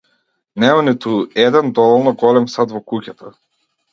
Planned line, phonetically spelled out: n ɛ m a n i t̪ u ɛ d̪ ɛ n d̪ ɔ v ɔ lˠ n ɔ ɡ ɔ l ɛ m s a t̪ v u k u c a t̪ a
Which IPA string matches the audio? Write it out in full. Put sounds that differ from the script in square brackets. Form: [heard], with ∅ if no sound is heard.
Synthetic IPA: n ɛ m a n i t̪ u ɛ d̪ ɛ n d̪ ɔ v ɔ lˠ n ɔ ɡ ɔ l ɛ m s a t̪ v [ɔ] k u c a t̪ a